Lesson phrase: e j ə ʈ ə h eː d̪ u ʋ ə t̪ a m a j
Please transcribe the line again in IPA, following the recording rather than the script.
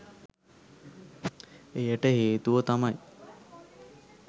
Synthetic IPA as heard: e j ə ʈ ə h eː t̪ u ʋ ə t̪ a m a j